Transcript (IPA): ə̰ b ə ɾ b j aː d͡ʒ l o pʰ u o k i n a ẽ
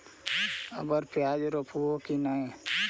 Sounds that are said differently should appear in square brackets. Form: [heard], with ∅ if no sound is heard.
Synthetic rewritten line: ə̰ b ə ɾ [p] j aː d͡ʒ [ɾ] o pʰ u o k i n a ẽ